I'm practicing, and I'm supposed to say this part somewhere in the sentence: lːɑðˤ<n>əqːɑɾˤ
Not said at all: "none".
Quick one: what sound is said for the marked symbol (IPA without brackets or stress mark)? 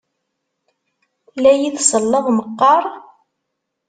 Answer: m